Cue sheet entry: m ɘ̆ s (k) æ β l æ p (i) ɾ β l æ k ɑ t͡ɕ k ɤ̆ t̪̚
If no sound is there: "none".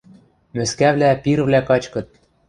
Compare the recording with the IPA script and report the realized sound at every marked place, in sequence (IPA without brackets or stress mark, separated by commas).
k, i